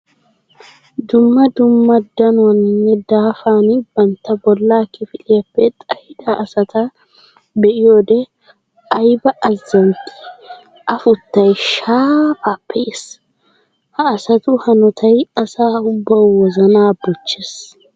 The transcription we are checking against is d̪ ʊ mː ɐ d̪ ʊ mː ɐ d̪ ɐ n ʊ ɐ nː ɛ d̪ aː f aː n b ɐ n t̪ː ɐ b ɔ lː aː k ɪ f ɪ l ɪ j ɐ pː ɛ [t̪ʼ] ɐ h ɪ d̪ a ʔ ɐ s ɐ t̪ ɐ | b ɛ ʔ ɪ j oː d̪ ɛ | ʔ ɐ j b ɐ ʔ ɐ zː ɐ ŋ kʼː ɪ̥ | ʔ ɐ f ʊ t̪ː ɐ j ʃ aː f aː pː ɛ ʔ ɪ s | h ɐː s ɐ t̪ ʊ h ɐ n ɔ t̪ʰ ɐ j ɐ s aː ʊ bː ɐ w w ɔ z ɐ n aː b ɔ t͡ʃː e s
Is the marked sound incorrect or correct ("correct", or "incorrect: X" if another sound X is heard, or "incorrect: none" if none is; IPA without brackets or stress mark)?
correct